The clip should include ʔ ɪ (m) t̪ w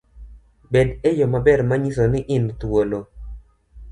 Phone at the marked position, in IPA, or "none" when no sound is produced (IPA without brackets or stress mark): n